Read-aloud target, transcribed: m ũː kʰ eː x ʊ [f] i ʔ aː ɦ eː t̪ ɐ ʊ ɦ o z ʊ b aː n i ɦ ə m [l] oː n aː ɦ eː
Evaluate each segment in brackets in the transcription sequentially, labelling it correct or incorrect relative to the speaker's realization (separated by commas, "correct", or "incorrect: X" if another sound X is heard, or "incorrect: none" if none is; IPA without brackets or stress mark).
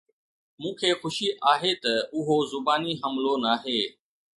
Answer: incorrect: ʃ, correct